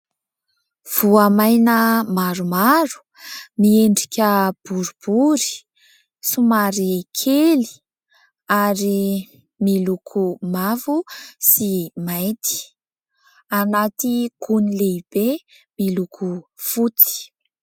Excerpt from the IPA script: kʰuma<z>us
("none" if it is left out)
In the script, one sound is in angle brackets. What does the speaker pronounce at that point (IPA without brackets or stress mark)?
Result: v